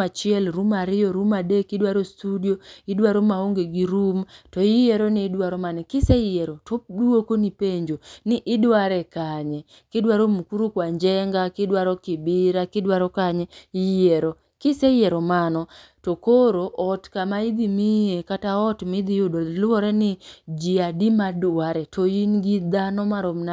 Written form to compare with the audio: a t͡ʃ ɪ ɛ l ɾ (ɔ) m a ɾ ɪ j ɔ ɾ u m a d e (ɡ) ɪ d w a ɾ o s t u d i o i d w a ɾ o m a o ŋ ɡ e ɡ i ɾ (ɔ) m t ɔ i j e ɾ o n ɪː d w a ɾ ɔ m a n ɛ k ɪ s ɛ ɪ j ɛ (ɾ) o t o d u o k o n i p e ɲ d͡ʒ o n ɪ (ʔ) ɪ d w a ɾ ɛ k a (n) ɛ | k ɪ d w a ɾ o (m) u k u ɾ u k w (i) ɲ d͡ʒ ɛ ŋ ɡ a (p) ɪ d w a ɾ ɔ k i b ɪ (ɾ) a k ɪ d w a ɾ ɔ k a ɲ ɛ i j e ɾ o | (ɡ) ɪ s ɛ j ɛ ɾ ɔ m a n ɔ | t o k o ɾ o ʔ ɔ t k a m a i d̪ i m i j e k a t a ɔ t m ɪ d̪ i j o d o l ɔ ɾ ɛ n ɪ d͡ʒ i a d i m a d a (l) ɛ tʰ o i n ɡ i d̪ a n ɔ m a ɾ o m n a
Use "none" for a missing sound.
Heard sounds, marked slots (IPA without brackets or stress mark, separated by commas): u, k, u, ɾ, ʔ, ɲ, m, a, k, ɾ, k, ɾ